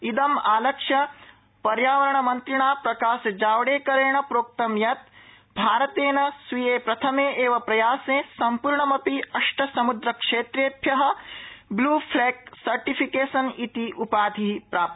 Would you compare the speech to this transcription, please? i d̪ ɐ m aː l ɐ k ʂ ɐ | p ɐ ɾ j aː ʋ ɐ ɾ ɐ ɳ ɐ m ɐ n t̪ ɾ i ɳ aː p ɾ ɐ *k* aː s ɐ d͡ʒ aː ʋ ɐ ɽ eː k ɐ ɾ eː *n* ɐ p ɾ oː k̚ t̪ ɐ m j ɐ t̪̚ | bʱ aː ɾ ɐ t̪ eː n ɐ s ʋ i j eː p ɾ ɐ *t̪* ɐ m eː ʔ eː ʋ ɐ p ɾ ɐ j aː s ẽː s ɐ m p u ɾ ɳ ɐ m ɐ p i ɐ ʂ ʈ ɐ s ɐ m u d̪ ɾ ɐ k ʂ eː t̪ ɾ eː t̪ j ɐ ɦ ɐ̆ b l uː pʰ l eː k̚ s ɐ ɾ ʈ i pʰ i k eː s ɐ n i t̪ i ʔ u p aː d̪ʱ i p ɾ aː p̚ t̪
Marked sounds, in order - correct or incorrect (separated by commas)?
correct, incorrect, incorrect